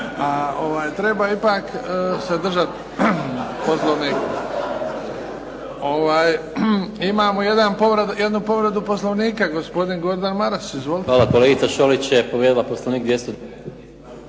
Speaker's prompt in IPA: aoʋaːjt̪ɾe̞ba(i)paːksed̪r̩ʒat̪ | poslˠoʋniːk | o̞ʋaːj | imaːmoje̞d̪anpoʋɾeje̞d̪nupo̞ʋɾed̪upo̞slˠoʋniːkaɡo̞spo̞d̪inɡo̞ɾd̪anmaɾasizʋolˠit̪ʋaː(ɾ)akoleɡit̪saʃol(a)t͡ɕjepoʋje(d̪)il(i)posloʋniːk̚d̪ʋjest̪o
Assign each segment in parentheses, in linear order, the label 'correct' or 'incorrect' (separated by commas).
correct, incorrect, incorrect, correct, incorrect